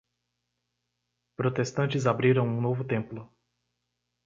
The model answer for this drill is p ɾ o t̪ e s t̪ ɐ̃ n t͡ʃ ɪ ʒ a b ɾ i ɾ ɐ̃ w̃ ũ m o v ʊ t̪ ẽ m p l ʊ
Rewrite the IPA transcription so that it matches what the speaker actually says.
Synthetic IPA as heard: p ɾ o t̪ e s t̪ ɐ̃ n t͡ʃ ɪ z a b ɾ i ɾ ɐ̃ w̃ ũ n o v ʊ t̪ ẽ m p l ʊ